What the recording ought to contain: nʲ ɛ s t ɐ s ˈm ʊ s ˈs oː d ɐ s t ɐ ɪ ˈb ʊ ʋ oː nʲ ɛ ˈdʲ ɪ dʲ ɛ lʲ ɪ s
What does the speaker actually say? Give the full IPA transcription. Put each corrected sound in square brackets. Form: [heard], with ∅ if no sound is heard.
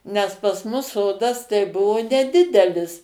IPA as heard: nʲ ɛ s [p] ɐ s ˈm ʊ s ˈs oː d ɐ s t ɐ ɪ ˈb ʊ ʋ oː nʲ ɛ ˈdʲ ɪ dʲ ɛ lʲ ɪ s